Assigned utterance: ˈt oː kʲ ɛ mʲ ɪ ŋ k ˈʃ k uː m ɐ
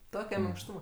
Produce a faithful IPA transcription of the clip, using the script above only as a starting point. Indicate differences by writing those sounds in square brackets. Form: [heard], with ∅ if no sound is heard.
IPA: ˈt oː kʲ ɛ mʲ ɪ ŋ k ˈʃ [t] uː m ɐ